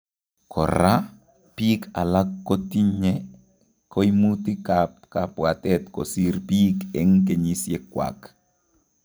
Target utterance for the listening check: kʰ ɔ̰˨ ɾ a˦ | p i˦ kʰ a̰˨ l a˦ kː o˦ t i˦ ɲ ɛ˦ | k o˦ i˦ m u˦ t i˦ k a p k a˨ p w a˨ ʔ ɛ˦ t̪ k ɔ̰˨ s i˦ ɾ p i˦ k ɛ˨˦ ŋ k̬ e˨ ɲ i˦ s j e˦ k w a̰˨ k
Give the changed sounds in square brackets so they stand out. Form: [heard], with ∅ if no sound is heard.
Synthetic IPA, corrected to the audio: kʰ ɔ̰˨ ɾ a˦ | p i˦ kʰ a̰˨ l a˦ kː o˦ t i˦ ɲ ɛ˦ | k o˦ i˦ m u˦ t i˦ k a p k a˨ p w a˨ [t] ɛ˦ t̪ k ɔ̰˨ s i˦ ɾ p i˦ k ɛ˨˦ ŋ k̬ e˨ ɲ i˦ s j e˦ k w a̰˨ k